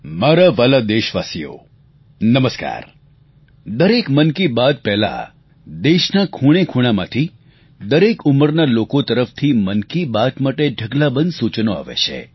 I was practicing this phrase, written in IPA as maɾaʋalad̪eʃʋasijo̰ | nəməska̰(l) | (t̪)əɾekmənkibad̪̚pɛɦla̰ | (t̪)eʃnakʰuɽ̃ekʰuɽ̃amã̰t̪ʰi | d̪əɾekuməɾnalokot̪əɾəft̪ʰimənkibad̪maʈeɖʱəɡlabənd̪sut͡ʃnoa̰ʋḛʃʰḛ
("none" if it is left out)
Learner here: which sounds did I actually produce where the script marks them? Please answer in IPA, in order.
ɾ, d̪, d̪

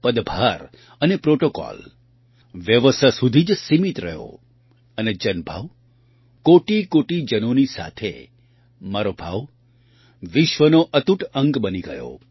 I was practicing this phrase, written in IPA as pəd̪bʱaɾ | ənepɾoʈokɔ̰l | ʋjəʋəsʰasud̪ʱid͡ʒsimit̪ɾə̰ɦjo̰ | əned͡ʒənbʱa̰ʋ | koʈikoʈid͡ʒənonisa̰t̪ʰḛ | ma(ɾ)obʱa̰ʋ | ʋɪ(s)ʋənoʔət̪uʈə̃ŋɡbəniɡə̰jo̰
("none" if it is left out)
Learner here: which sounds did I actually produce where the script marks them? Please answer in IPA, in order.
ɾ, ʃ

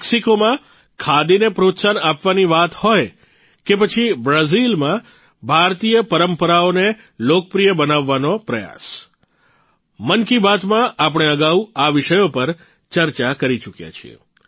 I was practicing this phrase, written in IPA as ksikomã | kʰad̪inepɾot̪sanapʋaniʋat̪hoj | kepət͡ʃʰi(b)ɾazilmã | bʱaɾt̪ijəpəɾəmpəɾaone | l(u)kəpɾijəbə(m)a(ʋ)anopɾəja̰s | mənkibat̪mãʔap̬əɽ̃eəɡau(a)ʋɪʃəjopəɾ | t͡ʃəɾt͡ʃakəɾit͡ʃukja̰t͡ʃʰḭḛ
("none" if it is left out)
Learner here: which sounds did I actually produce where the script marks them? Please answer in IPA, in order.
b, o, n, ʋː, a

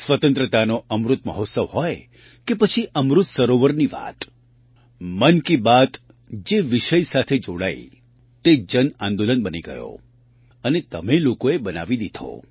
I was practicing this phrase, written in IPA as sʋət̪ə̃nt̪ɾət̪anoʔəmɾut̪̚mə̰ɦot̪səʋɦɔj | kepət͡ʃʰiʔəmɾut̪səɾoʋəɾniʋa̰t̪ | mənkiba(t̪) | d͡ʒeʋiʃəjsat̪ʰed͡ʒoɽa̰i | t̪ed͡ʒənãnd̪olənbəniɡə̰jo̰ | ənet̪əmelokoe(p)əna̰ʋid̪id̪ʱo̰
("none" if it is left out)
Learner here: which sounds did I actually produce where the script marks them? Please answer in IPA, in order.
t̪, b

